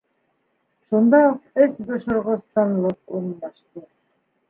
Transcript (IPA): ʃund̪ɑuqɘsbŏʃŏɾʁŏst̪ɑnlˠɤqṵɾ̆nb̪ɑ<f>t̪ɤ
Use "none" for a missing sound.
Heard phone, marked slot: ʃ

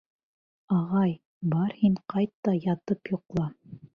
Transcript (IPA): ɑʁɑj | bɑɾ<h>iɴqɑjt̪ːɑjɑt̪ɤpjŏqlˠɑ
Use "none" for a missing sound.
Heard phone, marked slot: h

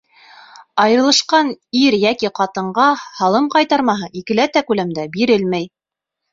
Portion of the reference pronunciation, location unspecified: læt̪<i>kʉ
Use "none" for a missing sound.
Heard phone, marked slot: æ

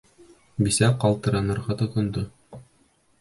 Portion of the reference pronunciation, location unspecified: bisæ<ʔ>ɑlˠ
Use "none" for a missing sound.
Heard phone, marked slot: q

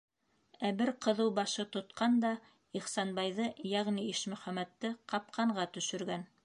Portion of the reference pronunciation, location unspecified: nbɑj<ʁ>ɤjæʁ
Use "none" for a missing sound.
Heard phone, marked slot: ð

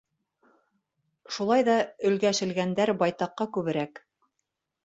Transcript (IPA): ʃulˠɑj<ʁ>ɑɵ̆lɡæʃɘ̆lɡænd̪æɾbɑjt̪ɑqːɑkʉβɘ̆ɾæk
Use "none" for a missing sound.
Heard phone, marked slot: ð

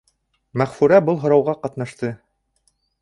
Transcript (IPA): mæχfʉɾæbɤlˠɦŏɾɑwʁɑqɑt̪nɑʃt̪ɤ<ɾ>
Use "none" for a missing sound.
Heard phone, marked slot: none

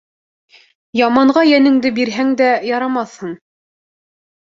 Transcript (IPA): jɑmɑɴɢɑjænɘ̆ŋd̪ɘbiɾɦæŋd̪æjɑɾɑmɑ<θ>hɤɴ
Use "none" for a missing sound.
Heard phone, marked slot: θ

